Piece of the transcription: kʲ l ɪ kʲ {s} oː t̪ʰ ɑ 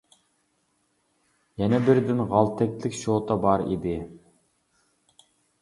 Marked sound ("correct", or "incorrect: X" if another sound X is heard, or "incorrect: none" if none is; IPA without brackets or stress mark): incorrect: ʃ